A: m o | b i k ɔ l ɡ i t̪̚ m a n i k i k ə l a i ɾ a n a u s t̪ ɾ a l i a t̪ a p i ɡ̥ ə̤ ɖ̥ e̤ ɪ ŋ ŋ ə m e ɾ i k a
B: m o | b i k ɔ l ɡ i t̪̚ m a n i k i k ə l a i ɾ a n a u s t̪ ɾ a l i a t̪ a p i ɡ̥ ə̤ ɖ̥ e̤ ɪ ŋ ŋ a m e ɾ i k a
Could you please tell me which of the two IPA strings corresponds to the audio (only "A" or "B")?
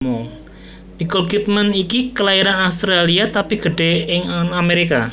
B